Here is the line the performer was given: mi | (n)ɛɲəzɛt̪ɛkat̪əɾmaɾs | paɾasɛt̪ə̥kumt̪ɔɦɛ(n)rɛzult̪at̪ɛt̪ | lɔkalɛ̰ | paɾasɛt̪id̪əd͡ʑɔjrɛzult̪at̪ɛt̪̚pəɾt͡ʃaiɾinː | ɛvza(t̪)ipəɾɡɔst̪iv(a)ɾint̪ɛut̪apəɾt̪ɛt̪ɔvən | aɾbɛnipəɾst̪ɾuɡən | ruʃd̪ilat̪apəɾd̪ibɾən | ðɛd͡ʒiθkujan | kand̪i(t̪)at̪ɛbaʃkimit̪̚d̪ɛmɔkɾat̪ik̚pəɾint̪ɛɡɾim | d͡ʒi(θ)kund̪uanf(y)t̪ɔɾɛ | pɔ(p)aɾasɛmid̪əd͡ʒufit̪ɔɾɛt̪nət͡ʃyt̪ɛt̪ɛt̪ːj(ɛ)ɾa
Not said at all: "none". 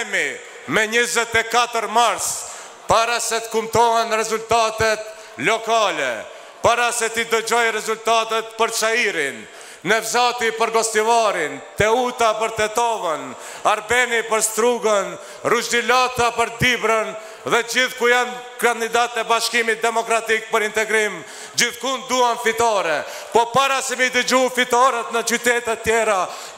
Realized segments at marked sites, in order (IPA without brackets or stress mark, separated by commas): m, n, t̪, a, d̪, θ, i, p, ɛ